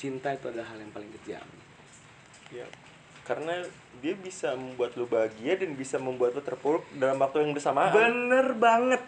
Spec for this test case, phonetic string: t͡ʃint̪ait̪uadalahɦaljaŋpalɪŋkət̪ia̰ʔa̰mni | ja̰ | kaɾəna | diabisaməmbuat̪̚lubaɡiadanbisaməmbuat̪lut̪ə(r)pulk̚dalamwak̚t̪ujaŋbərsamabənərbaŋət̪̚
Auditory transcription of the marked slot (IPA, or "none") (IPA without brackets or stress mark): r